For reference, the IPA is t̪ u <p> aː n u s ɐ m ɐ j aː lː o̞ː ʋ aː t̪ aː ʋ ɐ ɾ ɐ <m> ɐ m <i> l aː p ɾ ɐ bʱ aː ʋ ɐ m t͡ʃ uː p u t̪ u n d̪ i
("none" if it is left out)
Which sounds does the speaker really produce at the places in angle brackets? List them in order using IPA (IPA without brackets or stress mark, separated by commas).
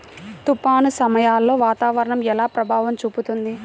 p, ɳ, ɛ